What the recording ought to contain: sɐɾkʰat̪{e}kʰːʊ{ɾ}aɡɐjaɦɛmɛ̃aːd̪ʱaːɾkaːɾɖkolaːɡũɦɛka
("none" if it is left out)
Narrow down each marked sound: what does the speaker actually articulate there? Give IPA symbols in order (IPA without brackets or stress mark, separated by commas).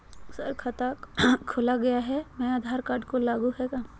a, l